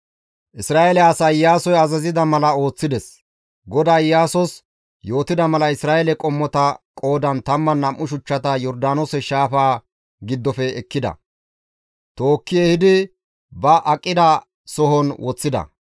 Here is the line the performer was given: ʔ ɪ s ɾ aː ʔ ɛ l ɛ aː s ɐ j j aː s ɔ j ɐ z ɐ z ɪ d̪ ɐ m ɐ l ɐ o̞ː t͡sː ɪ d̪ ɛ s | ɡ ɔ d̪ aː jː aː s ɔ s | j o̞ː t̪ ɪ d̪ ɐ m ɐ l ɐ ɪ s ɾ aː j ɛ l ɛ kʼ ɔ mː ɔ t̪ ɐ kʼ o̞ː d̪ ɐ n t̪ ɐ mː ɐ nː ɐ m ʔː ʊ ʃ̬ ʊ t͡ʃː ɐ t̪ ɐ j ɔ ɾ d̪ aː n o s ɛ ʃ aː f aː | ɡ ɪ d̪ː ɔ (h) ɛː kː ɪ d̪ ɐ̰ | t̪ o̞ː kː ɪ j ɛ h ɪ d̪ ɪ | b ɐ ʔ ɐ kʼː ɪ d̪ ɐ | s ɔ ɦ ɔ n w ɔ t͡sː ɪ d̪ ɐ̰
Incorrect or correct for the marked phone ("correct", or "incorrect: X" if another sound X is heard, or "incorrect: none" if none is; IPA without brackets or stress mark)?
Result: incorrect: f